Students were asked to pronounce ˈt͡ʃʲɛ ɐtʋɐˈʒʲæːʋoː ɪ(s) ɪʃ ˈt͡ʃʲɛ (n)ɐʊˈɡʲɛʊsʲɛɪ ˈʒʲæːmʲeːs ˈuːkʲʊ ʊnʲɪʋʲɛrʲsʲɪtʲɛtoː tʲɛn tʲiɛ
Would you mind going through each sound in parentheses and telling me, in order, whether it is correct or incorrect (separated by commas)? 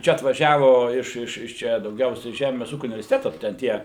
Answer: incorrect, incorrect